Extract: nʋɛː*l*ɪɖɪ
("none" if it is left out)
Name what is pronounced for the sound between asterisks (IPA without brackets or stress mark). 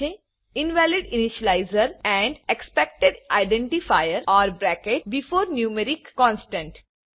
l